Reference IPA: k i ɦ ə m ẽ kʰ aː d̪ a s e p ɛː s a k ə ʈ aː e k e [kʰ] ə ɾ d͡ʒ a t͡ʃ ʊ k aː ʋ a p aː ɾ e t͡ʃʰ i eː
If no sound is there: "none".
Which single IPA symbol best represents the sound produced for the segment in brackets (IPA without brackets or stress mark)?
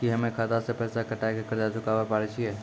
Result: k